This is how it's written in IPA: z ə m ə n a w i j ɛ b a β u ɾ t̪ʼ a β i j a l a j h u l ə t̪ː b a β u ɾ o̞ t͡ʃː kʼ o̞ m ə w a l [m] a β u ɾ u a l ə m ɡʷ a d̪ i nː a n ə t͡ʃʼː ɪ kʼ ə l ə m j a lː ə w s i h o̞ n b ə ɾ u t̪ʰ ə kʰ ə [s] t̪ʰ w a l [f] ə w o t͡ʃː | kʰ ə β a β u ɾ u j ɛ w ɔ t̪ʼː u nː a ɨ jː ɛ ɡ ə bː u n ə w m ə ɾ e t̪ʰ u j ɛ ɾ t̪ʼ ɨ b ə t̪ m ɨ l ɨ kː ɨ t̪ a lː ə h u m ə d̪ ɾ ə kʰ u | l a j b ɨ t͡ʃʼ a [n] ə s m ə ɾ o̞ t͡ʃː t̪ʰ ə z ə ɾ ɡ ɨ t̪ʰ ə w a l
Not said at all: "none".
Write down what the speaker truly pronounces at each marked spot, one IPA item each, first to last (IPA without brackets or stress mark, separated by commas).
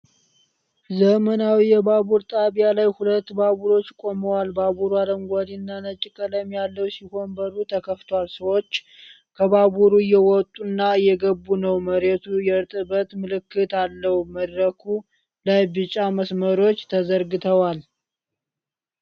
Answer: b, f, s, m